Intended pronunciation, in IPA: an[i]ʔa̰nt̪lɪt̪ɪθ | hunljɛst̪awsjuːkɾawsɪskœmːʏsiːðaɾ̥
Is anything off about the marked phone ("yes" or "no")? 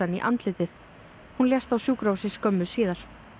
no